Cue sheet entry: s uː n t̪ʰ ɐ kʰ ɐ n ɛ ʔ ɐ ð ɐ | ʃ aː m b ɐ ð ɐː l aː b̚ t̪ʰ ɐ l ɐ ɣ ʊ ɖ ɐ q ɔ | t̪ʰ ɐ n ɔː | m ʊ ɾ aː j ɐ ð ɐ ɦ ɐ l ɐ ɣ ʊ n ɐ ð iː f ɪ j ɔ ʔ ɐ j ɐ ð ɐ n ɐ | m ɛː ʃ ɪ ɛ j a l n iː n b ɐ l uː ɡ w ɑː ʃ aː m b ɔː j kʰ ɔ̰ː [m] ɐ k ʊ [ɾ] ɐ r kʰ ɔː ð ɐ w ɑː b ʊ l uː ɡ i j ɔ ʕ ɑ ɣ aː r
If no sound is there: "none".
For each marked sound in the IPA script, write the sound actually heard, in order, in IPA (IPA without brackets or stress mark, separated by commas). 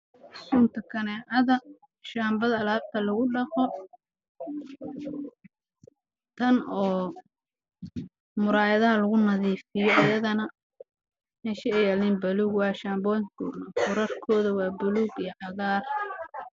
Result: n, ɾ